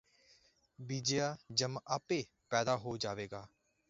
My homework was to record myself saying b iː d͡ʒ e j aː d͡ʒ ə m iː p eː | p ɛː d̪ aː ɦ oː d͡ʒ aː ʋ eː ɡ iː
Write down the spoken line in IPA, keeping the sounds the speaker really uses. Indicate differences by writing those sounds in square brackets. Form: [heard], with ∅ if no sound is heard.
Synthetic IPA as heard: b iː d͡ʒ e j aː d͡ʒ ə m [aː] p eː | p ɛː d̪ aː ɦ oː d͡ʒ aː ʋ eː ɡ [aː]